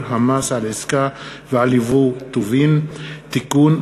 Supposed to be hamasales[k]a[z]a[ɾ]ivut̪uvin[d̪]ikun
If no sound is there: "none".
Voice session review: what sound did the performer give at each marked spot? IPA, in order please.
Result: k, v, l, t̪

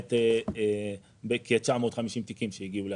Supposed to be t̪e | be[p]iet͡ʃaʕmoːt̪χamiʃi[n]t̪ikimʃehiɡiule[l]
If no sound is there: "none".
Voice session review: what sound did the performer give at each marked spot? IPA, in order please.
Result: k, m, none

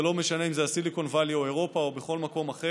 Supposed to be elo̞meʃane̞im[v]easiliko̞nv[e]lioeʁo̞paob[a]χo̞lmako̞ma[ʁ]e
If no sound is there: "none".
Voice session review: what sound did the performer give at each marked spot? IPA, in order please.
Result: z, a, e, χ

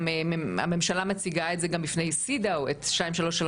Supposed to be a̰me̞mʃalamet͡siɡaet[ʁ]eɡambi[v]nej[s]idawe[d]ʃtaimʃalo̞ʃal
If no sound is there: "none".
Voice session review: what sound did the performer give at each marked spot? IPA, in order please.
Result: z, f, s, t

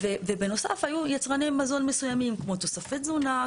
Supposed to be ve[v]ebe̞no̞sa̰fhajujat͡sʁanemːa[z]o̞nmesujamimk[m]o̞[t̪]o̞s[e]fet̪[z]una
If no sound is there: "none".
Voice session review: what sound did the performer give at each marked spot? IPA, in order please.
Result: v, z, m, t̪, a, z

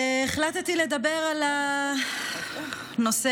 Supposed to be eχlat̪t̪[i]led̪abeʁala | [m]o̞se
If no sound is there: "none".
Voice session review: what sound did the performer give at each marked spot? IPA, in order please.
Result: i, n

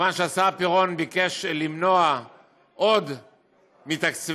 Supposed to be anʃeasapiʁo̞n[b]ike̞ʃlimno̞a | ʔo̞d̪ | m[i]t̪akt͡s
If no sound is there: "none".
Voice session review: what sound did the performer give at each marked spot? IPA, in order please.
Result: b, i

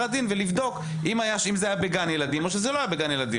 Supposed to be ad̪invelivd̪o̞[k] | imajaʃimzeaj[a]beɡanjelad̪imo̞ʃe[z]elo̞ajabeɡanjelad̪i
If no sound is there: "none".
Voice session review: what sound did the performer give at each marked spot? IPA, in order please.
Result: k, a, z

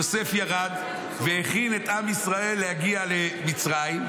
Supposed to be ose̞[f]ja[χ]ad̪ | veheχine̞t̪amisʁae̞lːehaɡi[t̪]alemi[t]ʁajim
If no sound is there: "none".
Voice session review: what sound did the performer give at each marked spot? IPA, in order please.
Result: f, ʁ, none, t͡s

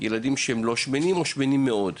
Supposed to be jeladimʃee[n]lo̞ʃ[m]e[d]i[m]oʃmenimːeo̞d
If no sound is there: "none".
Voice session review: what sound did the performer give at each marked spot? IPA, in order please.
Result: m, m, n, m

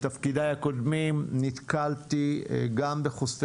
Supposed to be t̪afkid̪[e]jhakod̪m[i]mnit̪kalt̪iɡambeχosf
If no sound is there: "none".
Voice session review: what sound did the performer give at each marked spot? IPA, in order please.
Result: a, i

